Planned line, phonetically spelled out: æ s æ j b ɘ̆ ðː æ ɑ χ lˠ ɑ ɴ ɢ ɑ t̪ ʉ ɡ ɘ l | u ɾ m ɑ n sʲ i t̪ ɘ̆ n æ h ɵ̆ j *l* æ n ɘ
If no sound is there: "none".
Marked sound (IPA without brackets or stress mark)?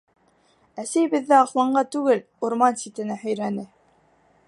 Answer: ɾ